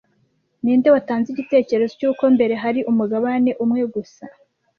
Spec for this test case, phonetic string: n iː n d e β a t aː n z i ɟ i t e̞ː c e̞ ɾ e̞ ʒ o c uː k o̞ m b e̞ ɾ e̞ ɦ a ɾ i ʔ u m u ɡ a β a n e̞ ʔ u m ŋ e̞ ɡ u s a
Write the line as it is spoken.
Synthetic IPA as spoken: n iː n d e w a t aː n z i ɟ i t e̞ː c e̞ ɾ e̞ z o c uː k o̞ m b e̞ ɾ e̞ ɦ a ɾ i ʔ u m u ɡ a β a n e̞ ʔ u m ŋ e̞ ɡ u s a